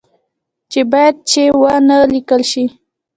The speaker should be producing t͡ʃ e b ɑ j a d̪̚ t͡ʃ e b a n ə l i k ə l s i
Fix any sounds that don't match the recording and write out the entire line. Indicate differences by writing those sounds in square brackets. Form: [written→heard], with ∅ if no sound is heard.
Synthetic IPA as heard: t͡ʃ e b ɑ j a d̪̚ t͡ʃ e [b→w] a n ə l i k ə l [s→ʃ] i